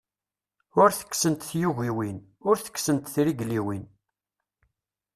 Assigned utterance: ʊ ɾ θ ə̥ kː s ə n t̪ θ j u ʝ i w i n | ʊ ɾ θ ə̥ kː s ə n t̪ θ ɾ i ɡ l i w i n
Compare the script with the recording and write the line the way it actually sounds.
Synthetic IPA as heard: ʊ ɾ θ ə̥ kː s ə n t̪ θ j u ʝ i w i n | ʊ ɾ θ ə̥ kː s ə n t̪ θ ɾ i ɡ l i w i n